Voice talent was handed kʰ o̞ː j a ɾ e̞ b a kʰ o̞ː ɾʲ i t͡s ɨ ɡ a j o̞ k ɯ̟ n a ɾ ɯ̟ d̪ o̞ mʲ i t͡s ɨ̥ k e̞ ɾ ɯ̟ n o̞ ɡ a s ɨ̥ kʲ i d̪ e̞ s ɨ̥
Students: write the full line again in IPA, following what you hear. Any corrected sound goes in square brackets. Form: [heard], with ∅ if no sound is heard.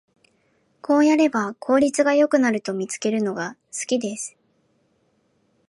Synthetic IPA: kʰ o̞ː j a ɾ e̞ b a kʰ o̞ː ɾʲ i t͡s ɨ ɡ a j o̞ k ɯ̟ n a ɾ ɯ̟ [t̪] o̞ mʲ i t͡s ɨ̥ k e̞ ɾ ɯ̟ n o̞ ɡ a s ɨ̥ kʲ i d̪ e̞ s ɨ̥